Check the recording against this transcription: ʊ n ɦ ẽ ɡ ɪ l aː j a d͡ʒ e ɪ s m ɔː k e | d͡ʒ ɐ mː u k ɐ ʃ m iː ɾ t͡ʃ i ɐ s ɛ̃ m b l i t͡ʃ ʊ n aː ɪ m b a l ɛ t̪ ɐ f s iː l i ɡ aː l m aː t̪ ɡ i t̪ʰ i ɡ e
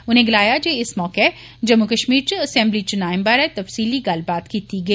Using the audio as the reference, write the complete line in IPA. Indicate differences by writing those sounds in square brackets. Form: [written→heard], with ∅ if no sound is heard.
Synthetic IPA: ʊ n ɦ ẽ ɡ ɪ l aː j a d͡ʒ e ɪ s m ɔː k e | d͡ʒ ɐ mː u k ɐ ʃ m iː ɾ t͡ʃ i ɐ s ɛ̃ m b l i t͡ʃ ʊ n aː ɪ m b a [l→ɾ] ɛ t̪ ɐ f s iː l i ɡ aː l [m→b] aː t̪ [ɡ→k] i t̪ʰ i ɡ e